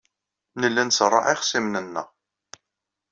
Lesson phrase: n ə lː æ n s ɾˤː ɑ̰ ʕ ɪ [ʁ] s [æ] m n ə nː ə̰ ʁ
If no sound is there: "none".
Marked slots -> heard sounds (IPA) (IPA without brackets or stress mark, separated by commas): χ, i